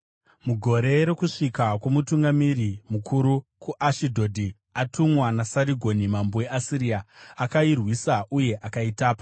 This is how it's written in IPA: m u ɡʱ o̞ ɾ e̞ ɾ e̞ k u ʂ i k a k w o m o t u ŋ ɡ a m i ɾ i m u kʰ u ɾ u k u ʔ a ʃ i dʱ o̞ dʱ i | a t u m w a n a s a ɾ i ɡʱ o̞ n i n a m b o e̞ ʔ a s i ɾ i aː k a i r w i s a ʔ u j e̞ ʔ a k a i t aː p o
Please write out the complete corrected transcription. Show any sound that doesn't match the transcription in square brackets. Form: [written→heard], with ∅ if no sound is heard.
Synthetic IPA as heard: m u ɡʱ o̞ ɾ e̞ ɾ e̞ k u ʂ i k a k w o m [o→u] t u ŋ ɡ a m i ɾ i m u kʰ u ɾ u k u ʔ a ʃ i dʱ o̞ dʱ i | a t u m w a n a s a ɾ i ɡʱ o̞ n i [n→m] a m b o e̞ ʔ a s i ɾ i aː k a i r w i s a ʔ u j e̞ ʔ a k a i t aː p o

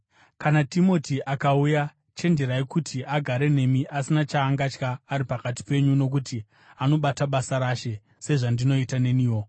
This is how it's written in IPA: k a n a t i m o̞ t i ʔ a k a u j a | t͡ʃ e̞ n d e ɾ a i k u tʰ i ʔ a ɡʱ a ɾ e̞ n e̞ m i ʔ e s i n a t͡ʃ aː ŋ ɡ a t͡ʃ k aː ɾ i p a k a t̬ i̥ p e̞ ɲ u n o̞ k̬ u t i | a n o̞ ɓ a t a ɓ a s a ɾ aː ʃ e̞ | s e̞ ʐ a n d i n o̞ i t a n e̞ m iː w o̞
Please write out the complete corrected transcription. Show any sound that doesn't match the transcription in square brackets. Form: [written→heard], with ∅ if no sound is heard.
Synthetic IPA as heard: k a n a t i m o̞ t i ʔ a k a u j a | t͡ʃ e̞ n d e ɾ a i k u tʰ i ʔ a ɡʱ a ɾ e̞ n e̞ m i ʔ [e→a] s i n a t͡ʃ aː ŋ ɡ a t͡ʃ k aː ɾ i p a k a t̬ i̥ p e̞ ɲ u n o̞ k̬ u t i | a n o̞ ɓ a t a ɓ a s a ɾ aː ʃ e̞ | s e̞ ʐ a n d i n o̞ i t a n e̞ [m→n] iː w o̞

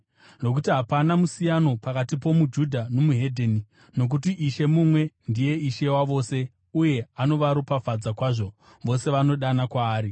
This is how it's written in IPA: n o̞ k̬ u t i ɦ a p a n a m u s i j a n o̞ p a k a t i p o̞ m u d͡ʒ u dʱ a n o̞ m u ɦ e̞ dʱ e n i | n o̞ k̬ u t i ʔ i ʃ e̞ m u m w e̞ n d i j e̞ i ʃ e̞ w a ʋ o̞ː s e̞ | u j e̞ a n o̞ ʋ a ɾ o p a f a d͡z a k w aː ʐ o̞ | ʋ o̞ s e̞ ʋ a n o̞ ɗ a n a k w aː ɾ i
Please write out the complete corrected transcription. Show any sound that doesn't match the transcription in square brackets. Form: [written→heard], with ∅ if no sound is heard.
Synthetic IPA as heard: n o̞ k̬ u t i ɦ a p a n a m u s i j a n o̞ p a k a t i p o̞ m u d͡ʒ u dʱ a n o̞ m u ɦ e̞ dʱ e n i | n o̞ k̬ u t i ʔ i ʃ e̞ m u m w e̞ n d i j e̞ i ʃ e̞ w a ʋ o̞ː s e̞ | u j e̞ a n o̞ ʋ a ɾ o p a f a d͡z a k w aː ʐ o̞ | ʋ o̞ s e̞ ʋ a n o̞ ɗ a n a k w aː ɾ i

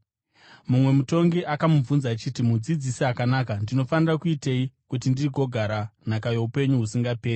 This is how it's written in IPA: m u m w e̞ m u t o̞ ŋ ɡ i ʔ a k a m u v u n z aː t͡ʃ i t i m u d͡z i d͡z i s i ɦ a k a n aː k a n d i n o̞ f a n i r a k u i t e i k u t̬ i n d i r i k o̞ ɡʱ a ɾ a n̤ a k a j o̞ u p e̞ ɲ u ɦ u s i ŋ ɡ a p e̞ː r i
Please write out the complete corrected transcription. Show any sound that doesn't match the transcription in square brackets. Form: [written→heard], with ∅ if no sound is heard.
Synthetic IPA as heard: m u m w e̞ m u t o̞ ŋ ɡ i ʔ a k a m u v u n z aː t͡ʃ i t i m u d͡z i d͡z i s i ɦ a k a n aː k a n d i n o̞ f a n i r a k u i t e i k u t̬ i n d i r i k o̞ ɡʱ a ɾ a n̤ a k a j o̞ u p e̞ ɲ u ɦ u s i ŋ ɡ a p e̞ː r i

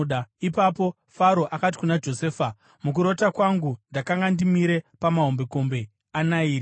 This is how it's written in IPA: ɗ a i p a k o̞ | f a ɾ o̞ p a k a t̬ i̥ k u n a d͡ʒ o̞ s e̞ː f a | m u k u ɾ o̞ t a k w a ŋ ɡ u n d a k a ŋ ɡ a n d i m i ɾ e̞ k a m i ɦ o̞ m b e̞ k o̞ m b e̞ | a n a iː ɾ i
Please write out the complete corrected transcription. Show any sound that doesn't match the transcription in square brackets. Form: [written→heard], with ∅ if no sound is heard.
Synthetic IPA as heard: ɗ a i p a [k→p] o̞ | f a ɾ o̞ [p→ʔ] a k a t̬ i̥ k u n a d͡ʒ o̞ s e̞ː f a | m u k u ɾ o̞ t a k w a ŋ ɡ u n d a k a ŋ ɡ a n d i m i ɾ e̞ [k→p] a m [i→a] ɦ o̞ m b e̞ k o̞ m b e̞ | a n a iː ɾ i

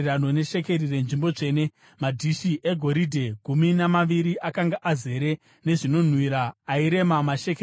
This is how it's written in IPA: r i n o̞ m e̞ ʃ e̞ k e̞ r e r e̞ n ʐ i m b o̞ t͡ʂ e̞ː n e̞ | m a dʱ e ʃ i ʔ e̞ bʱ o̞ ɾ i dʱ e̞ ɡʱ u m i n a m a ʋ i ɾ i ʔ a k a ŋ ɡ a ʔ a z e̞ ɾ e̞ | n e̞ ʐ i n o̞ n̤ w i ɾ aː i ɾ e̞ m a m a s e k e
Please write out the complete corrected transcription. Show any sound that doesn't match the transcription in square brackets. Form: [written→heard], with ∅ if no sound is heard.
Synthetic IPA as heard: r [i→a] n o̞ [m→n] e̞ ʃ e̞ k e̞ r [e→i] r e̞ n ʐ i m b o̞ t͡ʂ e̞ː n e̞ | m a dʱ [e→i] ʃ i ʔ e̞ [bʱ→ɡʱ] o̞ ɾ i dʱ e̞ ɡʱ u m i n a m a ʋ i ɾ i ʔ a k a ŋ ɡ a ʔ a z e̞ ɾ e̞ | n e̞ ʐ i n o̞ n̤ w i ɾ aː i ɾ e̞ m a m a [s→ʃ] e k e

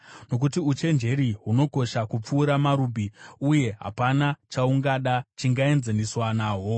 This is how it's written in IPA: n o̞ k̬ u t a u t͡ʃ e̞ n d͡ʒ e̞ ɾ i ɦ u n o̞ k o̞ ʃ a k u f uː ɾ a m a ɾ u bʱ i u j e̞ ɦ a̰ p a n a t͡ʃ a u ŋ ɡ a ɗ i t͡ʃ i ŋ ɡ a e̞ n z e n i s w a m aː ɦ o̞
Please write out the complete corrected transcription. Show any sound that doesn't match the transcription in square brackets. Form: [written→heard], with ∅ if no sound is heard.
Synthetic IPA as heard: n o̞ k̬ u t [a→i] u t͡ʃ e̞ n d͡ʒ e̞ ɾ i ɦ u n o̞ k o̞ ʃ a k u [f→p͡f] uː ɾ a m a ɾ u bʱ i u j e̞ ɦ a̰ p a n a t͡ʃ a u ŋ ɡ a ɗ [i→a] t͡ʃ i ŋ ɡ a e̞ n z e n i s w a [m→n] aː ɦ o̞

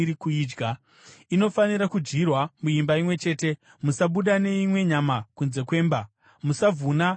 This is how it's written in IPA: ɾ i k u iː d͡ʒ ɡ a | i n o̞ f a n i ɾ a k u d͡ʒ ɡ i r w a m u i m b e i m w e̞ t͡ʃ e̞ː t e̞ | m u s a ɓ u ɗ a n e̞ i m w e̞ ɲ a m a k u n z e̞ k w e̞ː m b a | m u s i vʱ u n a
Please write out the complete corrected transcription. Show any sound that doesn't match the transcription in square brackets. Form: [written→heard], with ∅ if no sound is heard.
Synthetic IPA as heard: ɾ i k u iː d͡ʒ ɡ a | i n o̞ f a n i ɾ a k u d͡ʒ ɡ i r w a m u i m b [e→a] i m w e̞ t͡ʃ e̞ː t e̞ | m u s a ɓ u ɗ a n e̞ i m w e̞ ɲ a m a k u n z e̞ k w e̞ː m b a | m u s [i→a] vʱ u n a

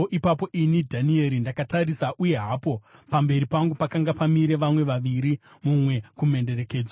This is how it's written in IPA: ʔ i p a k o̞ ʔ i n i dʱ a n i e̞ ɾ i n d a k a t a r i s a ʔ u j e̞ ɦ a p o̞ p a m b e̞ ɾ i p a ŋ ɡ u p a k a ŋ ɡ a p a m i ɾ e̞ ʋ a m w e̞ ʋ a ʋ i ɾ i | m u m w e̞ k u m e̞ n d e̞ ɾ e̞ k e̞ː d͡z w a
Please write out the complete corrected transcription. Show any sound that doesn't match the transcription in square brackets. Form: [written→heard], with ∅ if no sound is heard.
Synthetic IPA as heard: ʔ i p a [k→p] o̞ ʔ i n i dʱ a n i e̞ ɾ i n d a k a t a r i s a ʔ u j e̞ ɦ a p o̞ p a m b e̞ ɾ i p a ŋ ɡ u p a k a ŋ ɡ a p a m i ɾ e̞ ʋ a m w e̞ ʋ a ʋ i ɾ i | m u m w e̞ k u m e̞ n d e̞ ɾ e̞ k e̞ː d͡z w a

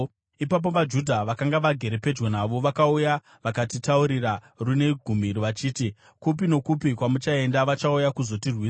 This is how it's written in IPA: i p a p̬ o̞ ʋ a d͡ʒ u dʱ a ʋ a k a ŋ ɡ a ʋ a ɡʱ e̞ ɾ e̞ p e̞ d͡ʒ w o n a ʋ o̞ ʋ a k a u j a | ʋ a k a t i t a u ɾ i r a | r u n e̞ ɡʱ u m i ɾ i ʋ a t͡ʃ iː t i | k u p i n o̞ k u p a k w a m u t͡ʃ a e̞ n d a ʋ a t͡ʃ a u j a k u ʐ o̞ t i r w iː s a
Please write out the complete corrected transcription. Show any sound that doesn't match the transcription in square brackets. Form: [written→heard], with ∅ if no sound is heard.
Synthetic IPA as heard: i p a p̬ o̞ ʋ a d͡ʒ u dʱ a ʋ a k a ŋ ɡ a ʋ a ɡʱ e̞ ɾ e̞ p e̞ d͡ʒ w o n a ʋ o̞ ʋ a k a u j a | ʋ a k a t i t a u ɾ i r a | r u n e̞ ɡʱ u m i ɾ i ʋ a t͡ʃ iː t i | k u p i n o̞ k u p [a→i] k w a m u t͡ʃ a e̞ n d a ʋ a t͡ʃ a u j a k u [ʐ→z] o̞ t i r w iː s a

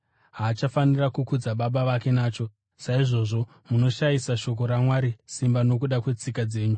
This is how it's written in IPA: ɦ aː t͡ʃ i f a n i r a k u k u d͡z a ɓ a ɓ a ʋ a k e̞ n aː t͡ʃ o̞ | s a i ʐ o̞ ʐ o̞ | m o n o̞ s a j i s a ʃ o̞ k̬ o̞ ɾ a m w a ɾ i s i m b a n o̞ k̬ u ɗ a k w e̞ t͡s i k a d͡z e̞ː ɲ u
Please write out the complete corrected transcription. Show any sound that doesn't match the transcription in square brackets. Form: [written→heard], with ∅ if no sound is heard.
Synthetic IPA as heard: ɦ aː t͡ʃ [i→a] f a n i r a k u k u d͡z a ɓ a ɓ a ʋ a k e̞ n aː t͡ʃ o̞ | s a i ʐ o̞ ʐ o̞ | m [o→u] n o̞ [s→ʃ] a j i s a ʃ o̞ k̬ o̞ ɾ a m w a ɾ i s i m b a n o̞ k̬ u ɗ a k w e̞ t͡s i k a d͡z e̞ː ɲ u

